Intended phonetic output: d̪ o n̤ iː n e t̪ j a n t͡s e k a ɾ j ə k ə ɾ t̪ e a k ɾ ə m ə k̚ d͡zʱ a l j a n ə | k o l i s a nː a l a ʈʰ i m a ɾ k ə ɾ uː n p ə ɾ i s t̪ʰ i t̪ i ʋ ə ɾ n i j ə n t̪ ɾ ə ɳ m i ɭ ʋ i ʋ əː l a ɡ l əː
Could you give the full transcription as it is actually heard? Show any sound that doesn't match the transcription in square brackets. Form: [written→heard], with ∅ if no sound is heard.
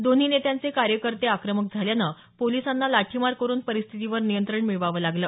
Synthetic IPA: d̪ o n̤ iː n e t̪ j a n t͡s e k a ɾ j ə k ə ɾ t̪ e a k ɾ ə m ə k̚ d͡zʱ a l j a n ə | [k→p] o l i s a nː a l a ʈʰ i m a ɾ k ə ɾ uː n p ə ɾ i s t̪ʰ i t̪ i ʋ ə ɾ n i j ə n t̪ ɾ ə ɳ m i ɭ ʋ [i→a] ʋ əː l a ɡ l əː